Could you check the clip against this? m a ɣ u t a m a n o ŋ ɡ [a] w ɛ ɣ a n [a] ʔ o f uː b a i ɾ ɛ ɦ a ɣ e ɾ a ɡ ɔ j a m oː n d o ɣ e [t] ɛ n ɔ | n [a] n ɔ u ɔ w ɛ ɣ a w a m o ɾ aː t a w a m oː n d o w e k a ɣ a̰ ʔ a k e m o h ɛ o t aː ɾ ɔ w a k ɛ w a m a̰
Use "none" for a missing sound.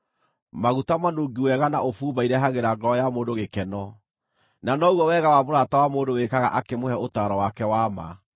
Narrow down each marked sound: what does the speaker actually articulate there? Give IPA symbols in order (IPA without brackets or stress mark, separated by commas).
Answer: i, a, k, a